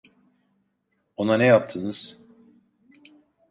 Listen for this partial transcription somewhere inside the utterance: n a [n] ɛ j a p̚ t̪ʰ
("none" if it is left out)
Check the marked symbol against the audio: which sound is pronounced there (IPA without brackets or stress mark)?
n